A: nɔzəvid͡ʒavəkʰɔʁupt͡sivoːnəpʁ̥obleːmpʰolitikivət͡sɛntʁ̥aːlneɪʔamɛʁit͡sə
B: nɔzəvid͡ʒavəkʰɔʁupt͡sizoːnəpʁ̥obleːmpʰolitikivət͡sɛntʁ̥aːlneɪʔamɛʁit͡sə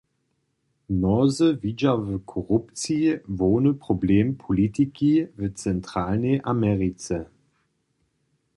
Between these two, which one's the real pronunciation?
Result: A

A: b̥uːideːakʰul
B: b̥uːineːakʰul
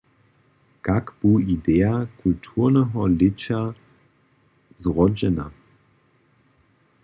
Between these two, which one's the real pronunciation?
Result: A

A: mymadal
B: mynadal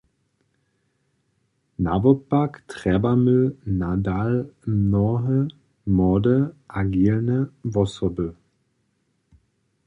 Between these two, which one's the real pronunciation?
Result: B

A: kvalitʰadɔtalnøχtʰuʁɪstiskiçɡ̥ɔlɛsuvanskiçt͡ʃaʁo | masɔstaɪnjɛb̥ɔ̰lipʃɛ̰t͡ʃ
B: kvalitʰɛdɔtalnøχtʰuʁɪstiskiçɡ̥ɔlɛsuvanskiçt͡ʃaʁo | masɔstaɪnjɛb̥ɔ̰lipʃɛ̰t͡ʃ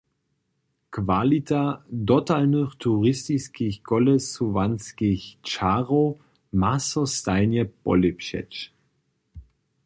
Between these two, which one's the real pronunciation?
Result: A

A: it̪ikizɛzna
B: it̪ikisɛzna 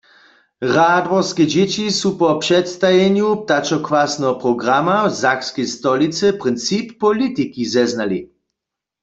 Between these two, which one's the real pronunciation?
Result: A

